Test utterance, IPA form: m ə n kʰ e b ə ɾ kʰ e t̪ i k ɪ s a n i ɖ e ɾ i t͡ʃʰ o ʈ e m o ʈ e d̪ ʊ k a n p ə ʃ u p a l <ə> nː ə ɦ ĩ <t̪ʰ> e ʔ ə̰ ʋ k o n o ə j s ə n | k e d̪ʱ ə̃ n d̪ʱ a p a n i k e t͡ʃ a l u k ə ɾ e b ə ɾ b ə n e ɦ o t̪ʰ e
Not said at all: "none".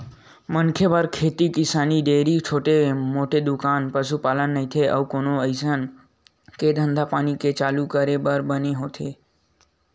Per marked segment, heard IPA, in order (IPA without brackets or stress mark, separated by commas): ə, t̪ʰ